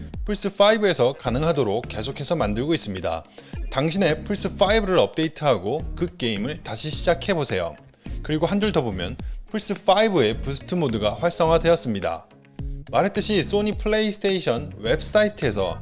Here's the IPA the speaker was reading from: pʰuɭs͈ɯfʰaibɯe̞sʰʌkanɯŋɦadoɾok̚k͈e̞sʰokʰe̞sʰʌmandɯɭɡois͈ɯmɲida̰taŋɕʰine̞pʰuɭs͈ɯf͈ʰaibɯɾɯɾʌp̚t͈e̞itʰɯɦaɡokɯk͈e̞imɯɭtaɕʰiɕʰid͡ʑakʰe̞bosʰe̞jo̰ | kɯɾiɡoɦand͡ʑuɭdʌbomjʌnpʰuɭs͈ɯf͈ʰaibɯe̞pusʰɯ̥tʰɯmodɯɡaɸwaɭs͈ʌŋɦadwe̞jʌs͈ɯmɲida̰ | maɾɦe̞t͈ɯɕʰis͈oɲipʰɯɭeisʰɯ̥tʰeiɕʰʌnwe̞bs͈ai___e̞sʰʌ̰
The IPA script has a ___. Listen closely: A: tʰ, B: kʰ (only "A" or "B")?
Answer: A